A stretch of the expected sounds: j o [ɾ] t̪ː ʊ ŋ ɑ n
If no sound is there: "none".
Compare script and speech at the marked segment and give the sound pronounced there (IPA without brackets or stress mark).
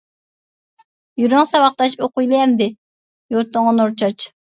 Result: ɾ